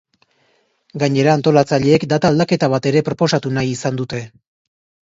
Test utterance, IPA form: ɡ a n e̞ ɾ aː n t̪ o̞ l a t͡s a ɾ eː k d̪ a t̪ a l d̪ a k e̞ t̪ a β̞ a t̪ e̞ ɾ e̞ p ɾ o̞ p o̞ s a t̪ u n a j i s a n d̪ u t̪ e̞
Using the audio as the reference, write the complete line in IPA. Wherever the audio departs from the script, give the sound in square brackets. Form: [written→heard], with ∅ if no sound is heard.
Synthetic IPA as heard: ɡ a [n→ɲ] e̞ ɾ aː n t̪ o̞ l a t͡s a [ɾ→ʎ] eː k d̪ a t̪ a l d̪ a k e̞ t̪ a β̞ a t̪ e̞ ɾ e̞ p ɾ o̞ p o̞ s a t̪ u n a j i s a n d̪ u t̪ e̞